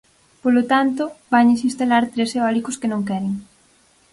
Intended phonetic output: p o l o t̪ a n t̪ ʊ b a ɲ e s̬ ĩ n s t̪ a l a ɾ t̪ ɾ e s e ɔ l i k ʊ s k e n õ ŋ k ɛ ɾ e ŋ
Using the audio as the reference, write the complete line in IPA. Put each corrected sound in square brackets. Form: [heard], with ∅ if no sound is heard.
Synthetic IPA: p o l o t̪ a n t̪ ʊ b a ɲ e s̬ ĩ n s t̪ a l a ɾ t̪ ɾ e s e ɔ l i k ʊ s k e n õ ŋ k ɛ ɾ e ŋ

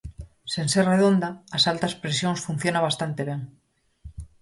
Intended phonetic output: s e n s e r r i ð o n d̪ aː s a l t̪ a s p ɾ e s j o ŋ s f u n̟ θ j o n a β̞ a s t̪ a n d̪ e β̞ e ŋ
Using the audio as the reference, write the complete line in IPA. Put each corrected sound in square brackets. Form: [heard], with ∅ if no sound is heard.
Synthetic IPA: s e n s e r r [e] ð o n d̪ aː s a l t̪ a s p ɾ e s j o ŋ s f u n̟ θ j o n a β̞ a s t̪ a n [t̪] e β̞ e ŋ

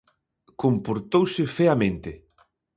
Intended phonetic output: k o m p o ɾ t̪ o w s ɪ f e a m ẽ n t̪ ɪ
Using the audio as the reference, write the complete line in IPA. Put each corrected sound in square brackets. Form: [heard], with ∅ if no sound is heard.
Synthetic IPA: k o m p o ɾ t̪ o w s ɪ f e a m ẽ n t̪ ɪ

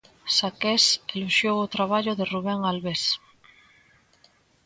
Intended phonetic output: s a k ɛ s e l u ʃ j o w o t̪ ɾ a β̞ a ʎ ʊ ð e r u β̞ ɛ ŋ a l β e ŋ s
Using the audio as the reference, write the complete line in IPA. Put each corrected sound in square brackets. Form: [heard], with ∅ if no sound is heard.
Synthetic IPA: s a k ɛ s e l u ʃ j o w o t̪ ɾ a β̞ a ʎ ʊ ð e r u β̞ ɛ ŋ a l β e [∅] s

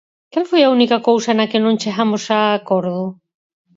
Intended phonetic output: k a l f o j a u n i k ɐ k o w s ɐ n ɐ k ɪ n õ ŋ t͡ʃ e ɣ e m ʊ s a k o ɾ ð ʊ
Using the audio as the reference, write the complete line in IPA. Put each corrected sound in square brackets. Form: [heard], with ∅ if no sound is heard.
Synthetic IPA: k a l f o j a u n i k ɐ k o w s ɐ n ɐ k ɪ n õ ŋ t͡ʃ e ɣ [a] m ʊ s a k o ɾ ð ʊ

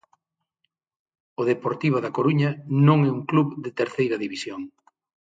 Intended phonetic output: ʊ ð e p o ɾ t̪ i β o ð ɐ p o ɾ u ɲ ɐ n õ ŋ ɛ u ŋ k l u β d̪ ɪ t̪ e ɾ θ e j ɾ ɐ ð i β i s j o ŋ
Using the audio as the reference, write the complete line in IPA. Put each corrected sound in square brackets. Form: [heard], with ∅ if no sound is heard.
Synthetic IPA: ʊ ð e p o ɾ t̪ i β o ð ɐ [k] o ɾ u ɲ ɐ n õ ŋ ɛ u ŋ k l u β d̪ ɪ t̪ e ɾ θ e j ɾ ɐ ð i β i s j o ŋ

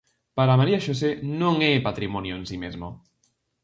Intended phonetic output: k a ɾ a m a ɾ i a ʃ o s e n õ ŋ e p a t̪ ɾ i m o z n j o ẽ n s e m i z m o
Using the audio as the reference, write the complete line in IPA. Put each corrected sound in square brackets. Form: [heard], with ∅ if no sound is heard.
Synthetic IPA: [p] a ɾ a m a ɾ i a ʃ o s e n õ ŋ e p a t̪ ɾ i m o [∅] n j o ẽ n s [i] m [e] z m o

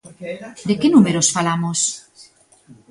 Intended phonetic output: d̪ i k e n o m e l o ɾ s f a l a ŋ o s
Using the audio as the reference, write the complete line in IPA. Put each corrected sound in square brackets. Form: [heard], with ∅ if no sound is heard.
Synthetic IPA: d̪ [e] k e n [u] m e [ɾ] o [∅] s f a l a [m] o s

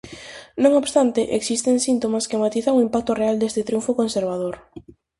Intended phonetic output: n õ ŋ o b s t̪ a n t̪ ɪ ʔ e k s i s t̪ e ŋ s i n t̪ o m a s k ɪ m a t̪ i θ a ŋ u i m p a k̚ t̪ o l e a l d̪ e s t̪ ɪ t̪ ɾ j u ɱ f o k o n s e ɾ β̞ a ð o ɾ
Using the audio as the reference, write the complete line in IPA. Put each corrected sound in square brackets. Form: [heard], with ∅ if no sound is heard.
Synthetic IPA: n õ ŋ o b s t̪ a n t̪ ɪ ʔ e k s i s t̪ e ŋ s i n t̪ o m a s k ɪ m a t̪ i θ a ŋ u i m p a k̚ t̪ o [r] e a l d̪ e s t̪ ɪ t̪ ɾ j u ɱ f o k o n s e ɾ β̞ a ð o ɾ

